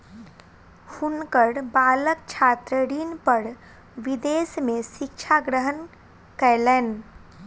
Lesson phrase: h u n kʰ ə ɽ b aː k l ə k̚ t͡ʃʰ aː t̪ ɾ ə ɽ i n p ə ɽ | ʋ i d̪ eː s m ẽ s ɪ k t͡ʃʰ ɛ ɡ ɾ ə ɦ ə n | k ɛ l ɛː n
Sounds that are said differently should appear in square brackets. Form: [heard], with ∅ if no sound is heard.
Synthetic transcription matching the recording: h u n [k] ə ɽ b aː [∅] l ə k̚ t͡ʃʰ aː t̪ ɾ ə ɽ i n p ə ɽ | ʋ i d̪ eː s m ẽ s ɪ k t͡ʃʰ [a] ɡ ɾ ə ɦ ə n | k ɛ l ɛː n

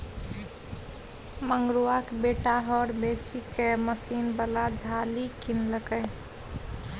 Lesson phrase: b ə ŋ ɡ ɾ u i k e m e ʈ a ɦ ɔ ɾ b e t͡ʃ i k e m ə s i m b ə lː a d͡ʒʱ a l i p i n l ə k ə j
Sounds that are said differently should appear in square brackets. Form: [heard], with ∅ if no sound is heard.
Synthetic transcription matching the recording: [m] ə ŋ ɡ ɾ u [a] k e [b] e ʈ a ɦ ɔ ɾ b e t͡ʃ i k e m ə s i [n] b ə [l] a d͡ʒʱ a l i [k] i n l ə k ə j

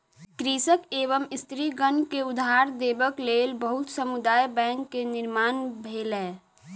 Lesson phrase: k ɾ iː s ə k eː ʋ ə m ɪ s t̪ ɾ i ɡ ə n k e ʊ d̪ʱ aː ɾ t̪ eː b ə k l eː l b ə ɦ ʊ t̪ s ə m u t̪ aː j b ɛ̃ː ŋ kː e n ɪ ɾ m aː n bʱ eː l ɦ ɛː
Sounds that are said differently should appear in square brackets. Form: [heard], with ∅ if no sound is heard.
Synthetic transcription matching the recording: k ɾ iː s ə k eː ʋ ə m ɪ s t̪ ɾ i ɡ ə n k e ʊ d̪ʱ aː ɾ [d̪] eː b ə k l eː l b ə ɦ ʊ t̪ s ə m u [d̪] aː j b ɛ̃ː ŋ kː e n ɪ ɾ m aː n bʱ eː l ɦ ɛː

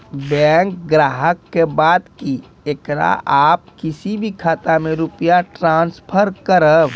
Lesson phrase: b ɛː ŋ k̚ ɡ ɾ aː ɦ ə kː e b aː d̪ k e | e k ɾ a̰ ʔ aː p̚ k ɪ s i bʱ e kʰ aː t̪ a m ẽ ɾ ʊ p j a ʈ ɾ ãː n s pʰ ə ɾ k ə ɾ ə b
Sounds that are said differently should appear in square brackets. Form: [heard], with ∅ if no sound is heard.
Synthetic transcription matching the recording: b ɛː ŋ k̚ ɡ ɾ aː ɦ ə kː e b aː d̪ k [i] | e k ɾ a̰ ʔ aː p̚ k ɪ s i bʱ [i] kʰ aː t̪ a m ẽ ɾ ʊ p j a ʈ ɾ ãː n s pʰ ə ɾ k ə ɾ ə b

